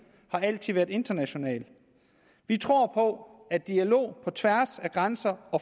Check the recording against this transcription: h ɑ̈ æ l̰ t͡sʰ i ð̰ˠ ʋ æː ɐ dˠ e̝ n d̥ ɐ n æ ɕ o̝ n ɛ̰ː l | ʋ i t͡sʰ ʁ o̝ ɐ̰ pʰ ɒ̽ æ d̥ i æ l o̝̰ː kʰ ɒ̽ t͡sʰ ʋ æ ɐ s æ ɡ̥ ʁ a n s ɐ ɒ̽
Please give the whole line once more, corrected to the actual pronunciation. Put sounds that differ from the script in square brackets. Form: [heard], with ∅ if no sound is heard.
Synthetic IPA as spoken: h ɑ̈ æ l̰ t͡sʰ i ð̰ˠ ʋ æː ɐ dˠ e̝ n d̥ ɐ n æ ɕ o̝ n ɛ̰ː l | ʋ i t͡sʰ ʁ o̝ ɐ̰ pʰ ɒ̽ æ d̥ i æ l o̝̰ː [pʰ] ɒ̽ t͡sʰ ʋ æ ɐ s æ ɡ̥ ʁ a n s ɐ ɒ̽